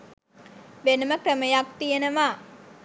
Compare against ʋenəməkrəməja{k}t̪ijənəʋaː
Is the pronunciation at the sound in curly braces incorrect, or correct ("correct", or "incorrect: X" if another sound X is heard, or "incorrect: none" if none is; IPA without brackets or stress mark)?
correct